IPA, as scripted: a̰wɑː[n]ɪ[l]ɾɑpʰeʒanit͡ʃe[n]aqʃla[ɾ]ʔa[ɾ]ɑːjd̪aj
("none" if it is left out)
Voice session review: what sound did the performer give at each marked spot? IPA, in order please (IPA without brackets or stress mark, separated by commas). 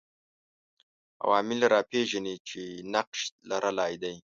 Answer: m, l, n, ɾ, l